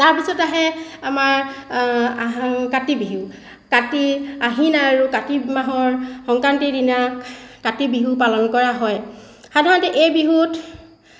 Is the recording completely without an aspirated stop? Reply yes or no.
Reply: yes